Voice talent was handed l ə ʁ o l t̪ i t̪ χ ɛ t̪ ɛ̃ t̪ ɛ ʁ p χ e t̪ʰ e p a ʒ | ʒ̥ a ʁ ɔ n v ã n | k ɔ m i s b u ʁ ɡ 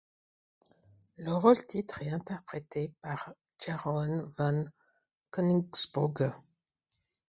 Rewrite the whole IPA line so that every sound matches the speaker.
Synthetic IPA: l ə ʁ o l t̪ i t̪ χ ɛ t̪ ɛ̃ t̪ ɛ ʁ p χ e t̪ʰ e p a ʁ | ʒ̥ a ʁ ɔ n v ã n | k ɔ n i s b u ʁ ɡ